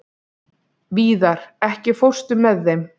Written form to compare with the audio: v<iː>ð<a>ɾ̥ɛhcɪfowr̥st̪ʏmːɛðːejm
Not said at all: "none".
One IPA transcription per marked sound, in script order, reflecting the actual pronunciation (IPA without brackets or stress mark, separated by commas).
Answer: iː, a